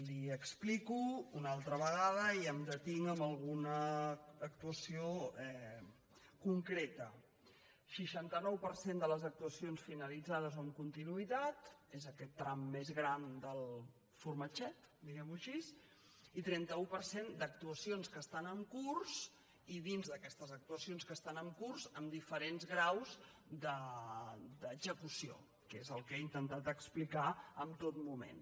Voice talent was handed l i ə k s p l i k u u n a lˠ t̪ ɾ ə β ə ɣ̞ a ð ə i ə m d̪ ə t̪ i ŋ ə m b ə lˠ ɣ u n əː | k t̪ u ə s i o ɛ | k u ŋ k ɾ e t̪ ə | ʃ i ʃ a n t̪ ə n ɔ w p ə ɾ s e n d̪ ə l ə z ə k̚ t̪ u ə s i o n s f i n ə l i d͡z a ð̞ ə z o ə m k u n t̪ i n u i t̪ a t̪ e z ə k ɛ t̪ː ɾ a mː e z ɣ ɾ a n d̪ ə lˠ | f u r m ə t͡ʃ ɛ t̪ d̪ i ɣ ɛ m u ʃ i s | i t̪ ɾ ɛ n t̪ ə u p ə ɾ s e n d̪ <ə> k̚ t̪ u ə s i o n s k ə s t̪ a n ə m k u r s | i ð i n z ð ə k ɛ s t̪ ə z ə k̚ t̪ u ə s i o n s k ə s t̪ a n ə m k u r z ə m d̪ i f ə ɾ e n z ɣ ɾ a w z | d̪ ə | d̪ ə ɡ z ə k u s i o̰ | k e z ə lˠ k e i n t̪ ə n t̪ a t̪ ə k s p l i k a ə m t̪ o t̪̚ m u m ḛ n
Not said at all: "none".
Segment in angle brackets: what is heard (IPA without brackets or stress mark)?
ə